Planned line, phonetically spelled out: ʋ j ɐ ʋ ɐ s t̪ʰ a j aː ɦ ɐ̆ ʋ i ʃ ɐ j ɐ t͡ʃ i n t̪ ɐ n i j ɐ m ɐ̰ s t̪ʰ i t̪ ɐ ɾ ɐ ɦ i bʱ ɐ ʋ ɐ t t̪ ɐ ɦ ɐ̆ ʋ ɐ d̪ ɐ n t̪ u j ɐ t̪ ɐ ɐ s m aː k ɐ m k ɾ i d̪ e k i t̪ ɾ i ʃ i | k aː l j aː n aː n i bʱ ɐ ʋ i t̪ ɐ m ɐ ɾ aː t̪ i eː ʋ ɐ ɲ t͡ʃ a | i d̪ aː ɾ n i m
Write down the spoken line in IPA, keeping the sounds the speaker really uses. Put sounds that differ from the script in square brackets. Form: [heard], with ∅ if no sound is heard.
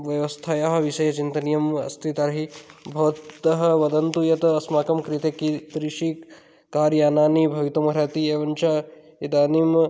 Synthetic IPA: ʋ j ɐ ʋ ɐ s t̪ʰ a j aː ɦ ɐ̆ ʋ i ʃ ɐ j ɐ t͡ʃ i n t̪ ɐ n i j ɐ m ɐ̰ s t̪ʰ i t̪ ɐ ɾ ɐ ɦ i bʱ ɐ ʋ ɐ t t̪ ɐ ɦ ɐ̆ ʋ ɐ d̪ ɐ n t̪ u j ɐ t̪ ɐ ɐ s m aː k ɐ m k ɾ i [t̪] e k i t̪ ɾ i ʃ i | k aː [ɾ] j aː n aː n i bʱ ɐ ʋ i t̪ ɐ m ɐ ɾ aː t̪ i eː ʋ ɐ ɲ t͡ʃ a | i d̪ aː [∅] n i m